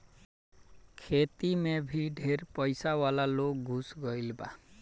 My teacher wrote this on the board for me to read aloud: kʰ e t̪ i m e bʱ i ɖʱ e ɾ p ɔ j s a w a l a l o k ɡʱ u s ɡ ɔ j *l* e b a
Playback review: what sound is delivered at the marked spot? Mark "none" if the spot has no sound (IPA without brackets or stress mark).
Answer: l